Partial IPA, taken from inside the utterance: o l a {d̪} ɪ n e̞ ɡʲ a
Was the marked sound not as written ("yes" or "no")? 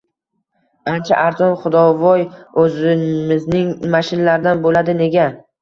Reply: no